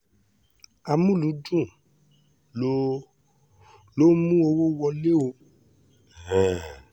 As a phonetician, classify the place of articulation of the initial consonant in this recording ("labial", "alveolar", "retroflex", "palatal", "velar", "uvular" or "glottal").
labial